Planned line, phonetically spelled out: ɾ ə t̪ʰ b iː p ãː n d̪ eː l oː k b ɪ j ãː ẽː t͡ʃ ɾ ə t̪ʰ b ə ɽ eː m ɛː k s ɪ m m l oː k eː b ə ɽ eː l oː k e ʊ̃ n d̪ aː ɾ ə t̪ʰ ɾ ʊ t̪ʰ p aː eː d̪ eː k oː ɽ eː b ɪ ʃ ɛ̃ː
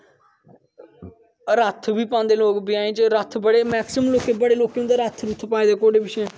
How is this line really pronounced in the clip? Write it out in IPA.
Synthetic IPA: ɾ ə t̪ʰ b iː p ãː n d̪ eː l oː k b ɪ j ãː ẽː t͡ʃ ɾ ə t̪ʰ b ə ɽ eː m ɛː k s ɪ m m l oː k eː b ə ɽ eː l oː k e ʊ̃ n d̪ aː ɾ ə t̪ʰ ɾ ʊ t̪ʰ p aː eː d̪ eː k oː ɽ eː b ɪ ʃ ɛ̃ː